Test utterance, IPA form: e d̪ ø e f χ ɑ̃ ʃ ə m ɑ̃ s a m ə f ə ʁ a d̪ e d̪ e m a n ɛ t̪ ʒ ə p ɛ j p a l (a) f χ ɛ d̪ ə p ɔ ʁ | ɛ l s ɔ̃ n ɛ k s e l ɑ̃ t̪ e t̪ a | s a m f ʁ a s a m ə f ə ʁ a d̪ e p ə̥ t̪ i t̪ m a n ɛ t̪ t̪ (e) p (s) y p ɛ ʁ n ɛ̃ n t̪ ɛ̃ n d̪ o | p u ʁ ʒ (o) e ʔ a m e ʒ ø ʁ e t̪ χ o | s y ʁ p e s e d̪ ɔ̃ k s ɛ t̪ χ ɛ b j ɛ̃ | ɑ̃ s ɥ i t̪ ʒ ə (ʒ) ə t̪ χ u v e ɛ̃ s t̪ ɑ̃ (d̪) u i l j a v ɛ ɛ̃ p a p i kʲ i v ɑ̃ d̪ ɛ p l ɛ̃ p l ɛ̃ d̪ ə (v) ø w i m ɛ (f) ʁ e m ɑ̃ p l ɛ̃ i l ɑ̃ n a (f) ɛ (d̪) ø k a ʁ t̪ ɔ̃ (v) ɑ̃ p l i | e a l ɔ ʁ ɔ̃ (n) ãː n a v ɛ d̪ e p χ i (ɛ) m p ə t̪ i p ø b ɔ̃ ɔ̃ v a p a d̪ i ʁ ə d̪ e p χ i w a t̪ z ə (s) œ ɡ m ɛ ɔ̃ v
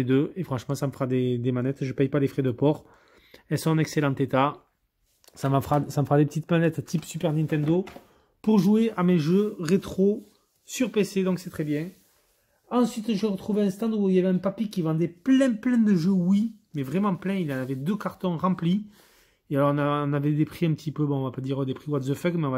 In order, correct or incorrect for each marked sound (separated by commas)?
incorrect, incorrect, correct, incorrect, incorrect, correct, incorrect, incorrect, incorrect, correct, incorrect, correct, incorrect, incorrect